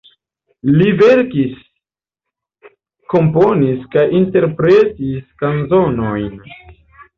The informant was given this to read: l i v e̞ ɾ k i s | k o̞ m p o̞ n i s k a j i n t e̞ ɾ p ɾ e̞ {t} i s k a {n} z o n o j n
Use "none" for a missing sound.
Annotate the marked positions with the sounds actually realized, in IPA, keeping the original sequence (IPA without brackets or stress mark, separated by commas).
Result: t, n